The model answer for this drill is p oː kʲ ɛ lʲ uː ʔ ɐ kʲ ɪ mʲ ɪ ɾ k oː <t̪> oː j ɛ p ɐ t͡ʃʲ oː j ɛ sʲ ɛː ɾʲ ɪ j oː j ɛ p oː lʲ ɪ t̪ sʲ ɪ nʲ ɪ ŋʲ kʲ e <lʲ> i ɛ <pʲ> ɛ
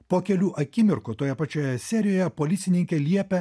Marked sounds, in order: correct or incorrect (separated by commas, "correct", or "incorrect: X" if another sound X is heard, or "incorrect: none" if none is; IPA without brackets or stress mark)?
correct, correct, correct